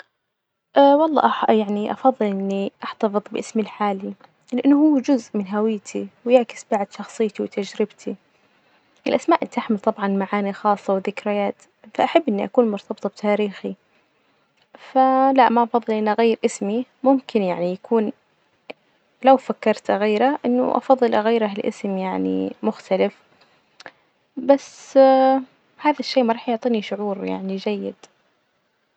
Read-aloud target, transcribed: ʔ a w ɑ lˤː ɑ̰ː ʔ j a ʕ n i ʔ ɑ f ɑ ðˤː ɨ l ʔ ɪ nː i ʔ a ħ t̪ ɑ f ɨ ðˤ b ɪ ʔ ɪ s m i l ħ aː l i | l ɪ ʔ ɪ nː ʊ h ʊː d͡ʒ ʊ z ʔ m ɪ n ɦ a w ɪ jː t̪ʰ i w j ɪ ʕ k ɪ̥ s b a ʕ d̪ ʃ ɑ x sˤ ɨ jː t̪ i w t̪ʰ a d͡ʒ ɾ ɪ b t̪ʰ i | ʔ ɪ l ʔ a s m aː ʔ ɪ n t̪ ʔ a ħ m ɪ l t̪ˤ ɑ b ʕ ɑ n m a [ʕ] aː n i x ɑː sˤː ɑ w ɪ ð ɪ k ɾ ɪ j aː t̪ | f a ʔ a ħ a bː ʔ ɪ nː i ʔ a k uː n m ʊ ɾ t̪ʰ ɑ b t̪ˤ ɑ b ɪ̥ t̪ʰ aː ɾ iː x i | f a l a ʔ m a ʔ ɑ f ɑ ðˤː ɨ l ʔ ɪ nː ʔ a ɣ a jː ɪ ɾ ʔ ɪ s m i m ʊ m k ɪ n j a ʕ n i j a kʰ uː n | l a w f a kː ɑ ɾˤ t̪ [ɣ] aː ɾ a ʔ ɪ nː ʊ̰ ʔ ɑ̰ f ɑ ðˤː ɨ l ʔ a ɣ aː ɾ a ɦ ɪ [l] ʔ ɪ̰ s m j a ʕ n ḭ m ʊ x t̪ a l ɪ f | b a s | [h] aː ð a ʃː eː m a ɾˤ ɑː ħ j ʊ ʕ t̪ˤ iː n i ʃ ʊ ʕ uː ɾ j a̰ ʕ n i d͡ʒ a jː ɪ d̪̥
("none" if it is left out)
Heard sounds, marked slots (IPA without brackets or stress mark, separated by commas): ʕ, ɣ, l, h